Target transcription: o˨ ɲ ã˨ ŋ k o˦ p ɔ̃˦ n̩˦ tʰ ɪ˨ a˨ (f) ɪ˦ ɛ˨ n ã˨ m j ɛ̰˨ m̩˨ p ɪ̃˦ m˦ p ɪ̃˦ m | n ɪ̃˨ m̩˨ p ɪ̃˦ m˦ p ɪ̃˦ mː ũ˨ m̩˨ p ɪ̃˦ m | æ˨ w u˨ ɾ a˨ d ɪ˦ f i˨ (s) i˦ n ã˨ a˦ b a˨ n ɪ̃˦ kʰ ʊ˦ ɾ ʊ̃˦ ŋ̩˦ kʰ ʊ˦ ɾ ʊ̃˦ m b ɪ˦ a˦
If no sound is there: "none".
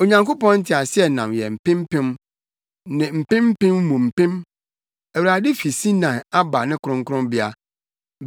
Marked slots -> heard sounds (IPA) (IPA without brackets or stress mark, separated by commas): s, s